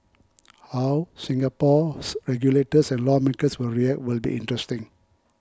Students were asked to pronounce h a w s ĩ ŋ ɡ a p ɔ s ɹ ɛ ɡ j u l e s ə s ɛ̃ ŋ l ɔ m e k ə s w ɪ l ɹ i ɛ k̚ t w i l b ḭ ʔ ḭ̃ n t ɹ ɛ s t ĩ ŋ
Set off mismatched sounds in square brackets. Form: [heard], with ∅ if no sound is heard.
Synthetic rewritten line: h a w s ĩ ŋ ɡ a p ɔ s ɹ ɛ ɡ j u l e [t] ə s ɛ̃ [n] l ɔ m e k ə s w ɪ l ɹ i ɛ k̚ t w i l b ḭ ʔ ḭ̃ n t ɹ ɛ s t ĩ ŋ